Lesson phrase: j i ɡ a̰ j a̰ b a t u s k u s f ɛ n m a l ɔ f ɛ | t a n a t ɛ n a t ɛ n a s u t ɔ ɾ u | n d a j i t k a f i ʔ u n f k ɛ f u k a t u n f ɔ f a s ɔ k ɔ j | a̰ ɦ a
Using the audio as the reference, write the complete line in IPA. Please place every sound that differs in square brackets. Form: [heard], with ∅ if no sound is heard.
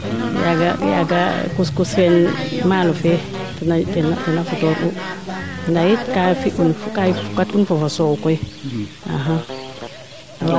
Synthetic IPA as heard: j [a] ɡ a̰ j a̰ [ɡ] a [k] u s k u s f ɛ n m a l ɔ f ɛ | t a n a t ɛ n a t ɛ n a [f] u t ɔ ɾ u | n d a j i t k a f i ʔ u n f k [a] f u k a t u n f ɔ f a s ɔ k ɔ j | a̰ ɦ a